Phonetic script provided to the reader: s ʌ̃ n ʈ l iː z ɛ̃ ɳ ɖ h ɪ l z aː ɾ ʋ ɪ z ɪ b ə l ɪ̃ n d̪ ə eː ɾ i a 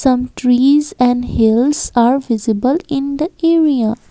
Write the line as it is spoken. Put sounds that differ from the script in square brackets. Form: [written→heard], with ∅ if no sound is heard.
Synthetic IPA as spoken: s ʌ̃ [n→m] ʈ [l→ɾ] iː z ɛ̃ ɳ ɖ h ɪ l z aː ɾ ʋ ɪ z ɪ b ə l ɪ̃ n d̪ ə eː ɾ i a

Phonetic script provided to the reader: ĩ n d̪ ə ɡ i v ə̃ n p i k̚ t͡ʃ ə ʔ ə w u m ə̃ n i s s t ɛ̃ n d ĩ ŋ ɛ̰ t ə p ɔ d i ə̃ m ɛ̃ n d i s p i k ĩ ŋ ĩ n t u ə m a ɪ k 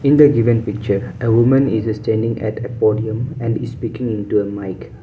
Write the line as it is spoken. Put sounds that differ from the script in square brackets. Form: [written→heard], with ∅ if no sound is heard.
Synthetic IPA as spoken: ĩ n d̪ ə ɡ i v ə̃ n p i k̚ t͡ʃ ə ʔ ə w u m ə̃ n i s s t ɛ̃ n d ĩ ŋ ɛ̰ t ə p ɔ d i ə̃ m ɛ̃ n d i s p i k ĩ ŋ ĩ n t u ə m a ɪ k

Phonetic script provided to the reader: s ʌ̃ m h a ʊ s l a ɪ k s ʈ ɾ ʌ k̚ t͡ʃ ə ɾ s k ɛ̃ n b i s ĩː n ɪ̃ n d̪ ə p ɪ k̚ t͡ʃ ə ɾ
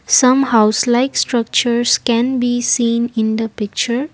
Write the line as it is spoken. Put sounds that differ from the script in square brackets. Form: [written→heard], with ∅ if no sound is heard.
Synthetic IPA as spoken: s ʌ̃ m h a ʊ s l a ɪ k s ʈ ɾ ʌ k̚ t͡ʃ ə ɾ s k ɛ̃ n b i s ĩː n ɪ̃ n d̪ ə p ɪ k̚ t͡ʃ ə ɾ

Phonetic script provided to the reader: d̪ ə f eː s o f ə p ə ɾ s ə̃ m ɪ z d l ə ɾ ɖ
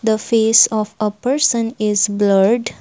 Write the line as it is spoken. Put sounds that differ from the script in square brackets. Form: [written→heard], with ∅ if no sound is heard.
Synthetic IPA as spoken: d̪ ə f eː s [o→ɔ] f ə p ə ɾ s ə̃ [m→n] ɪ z [d→b] l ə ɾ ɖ

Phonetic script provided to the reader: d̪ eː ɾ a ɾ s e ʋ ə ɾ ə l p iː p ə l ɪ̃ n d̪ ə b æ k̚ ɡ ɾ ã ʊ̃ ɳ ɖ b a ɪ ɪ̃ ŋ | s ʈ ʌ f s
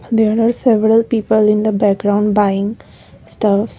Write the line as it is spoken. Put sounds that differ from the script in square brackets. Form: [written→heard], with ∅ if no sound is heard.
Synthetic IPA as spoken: d̪ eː ɾ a ɾ s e ʋ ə ɾ ə l p iː p ə l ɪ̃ n d̪ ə b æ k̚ ɡ ɾ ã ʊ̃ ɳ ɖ b a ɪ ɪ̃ ŋ | s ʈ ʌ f s

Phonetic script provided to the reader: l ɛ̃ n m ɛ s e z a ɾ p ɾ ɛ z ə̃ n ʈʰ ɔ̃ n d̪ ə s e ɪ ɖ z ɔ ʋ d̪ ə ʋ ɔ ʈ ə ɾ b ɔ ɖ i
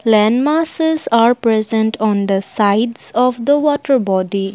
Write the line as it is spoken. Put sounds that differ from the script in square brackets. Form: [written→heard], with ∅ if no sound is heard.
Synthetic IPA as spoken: l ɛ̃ n m [ɛ→a] s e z a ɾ p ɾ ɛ z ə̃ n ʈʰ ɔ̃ n d̪ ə s [e→a] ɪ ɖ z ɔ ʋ d̪ ə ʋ ɔ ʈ ə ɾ b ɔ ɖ i

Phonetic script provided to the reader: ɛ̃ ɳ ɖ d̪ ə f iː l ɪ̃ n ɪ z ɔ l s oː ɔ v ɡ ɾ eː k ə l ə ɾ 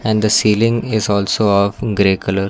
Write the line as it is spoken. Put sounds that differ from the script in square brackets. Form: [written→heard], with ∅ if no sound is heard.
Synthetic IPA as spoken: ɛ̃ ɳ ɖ d̪ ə [f→s] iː l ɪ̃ [n→ŋ] ɪ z [ɔ→ɔː] l s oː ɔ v ɡ ɾ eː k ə l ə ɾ

